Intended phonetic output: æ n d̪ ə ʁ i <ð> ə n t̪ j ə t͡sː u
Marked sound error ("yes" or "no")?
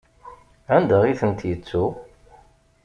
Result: yes